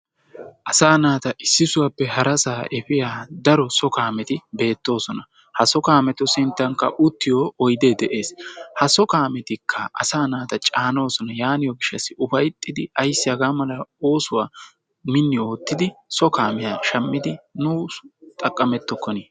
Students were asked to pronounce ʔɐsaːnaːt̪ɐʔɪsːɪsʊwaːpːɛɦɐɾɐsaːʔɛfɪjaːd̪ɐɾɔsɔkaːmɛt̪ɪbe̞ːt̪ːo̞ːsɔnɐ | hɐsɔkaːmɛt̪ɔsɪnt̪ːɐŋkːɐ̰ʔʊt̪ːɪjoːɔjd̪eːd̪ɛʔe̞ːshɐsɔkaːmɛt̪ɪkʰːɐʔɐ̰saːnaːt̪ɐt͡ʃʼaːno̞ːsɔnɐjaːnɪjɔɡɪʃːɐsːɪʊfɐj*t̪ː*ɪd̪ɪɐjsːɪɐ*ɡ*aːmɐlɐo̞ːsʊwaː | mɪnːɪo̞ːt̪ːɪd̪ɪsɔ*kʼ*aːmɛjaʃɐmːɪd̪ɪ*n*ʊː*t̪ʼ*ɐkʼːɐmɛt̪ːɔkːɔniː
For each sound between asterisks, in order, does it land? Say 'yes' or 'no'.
no, yes, no, yes, yes

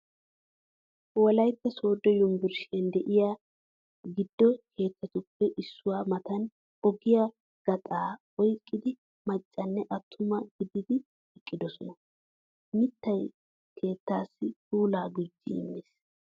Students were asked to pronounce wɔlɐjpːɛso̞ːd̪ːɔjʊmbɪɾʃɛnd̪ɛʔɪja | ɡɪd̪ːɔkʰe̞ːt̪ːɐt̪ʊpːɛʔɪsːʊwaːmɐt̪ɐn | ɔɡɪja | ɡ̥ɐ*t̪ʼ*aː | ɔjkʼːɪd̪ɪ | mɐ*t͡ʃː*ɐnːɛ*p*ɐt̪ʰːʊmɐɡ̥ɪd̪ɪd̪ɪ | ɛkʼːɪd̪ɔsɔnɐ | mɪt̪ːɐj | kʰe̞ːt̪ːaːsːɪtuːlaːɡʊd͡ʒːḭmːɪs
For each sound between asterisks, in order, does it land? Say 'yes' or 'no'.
yes, no, no

